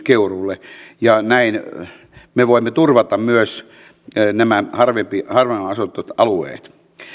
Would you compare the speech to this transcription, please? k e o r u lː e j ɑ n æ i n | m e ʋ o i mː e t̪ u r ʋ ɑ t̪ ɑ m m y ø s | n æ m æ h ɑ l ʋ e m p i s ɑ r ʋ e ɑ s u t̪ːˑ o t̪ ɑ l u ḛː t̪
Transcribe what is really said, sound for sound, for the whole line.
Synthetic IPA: k e u r u lː e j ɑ n æ i n | m e ʋ o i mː e t̪ u r ʋ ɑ t̪ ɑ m m y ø s | n æ m æ h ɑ r ʋ e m p i h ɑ r ʋ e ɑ s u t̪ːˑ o t̪ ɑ l u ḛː t̪

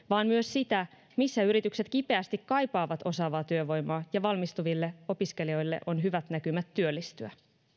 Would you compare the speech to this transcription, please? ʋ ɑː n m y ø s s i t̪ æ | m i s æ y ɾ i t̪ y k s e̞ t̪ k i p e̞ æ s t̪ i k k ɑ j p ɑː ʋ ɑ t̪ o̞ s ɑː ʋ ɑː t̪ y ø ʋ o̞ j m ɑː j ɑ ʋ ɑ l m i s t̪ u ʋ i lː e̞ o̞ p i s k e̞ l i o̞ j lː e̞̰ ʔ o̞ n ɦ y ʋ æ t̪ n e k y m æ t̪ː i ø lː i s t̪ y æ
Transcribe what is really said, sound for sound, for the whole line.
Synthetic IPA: ʋ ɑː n m y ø s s i t̪ æ | m i sː æ y ɾ i t̪ y k s e̞ t̪ k i p e̞ æ s t̪ i k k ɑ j p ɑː ʋ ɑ t̪ o̞ s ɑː ʋ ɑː t̪ y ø ʋ o̞ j m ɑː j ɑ ʋ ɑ l m i s t̪ u ʋ i lː e̞ o̞ p i s k e̞ l i o̞ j lː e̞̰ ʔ o̞ n ɦ y ʋ æ t̪ n æ k y m æ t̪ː y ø lː i s t̪ y æ

